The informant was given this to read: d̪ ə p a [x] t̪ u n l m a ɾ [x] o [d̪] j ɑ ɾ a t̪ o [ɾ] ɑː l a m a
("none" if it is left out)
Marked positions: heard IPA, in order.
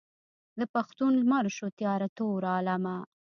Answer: x, ʃ, t̪, ɾ

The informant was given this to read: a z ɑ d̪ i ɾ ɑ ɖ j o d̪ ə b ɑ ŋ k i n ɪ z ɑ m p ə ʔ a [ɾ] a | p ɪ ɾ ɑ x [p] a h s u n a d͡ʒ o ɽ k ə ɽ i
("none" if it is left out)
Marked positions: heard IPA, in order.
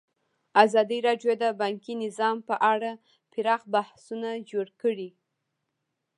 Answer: ɽ, b

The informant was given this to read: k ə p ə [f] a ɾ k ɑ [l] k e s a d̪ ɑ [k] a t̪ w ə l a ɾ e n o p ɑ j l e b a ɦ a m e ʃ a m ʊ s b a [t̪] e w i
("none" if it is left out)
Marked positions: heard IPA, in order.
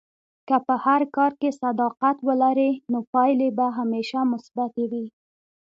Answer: h, ɾ, q, t̪

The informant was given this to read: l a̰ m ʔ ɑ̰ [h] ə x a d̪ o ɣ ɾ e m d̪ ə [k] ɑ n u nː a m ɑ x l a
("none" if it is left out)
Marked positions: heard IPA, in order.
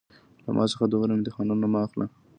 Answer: s, x

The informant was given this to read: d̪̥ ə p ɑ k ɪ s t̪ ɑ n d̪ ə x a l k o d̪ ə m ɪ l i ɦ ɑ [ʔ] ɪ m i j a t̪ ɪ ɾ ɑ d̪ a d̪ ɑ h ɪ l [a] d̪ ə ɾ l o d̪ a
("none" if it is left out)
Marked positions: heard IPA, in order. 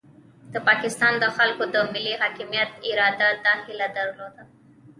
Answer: k, a

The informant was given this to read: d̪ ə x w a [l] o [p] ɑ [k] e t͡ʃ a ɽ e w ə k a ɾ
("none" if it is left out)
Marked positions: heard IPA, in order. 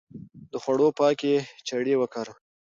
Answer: ɽ, p, k

